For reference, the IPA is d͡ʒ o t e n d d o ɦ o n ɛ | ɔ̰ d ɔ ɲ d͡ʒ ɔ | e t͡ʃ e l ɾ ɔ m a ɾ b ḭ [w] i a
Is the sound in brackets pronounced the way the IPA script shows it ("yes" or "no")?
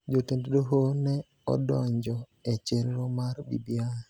no